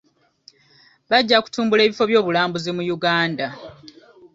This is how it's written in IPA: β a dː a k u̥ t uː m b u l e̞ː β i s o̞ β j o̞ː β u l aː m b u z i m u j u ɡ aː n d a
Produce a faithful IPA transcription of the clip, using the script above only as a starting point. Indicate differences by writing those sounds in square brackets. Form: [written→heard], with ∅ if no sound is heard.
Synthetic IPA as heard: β a [dː→ɟː] a k u̥ t uː m b u l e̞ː β i [s→f] o̞ β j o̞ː β u l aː m b u z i m u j u ɡ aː n d a